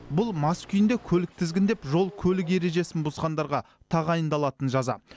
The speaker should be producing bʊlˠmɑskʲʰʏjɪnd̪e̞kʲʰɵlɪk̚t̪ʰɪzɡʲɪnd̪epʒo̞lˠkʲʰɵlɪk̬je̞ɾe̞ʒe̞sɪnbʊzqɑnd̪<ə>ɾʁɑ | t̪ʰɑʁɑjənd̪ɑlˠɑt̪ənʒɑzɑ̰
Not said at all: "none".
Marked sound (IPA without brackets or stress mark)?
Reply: ɑ